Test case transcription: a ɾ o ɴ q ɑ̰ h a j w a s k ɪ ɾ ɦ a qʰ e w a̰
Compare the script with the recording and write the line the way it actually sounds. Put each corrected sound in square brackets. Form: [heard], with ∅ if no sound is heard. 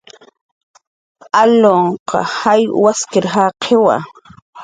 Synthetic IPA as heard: a [l] o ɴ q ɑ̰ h a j w a s k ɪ ɾ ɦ a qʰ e w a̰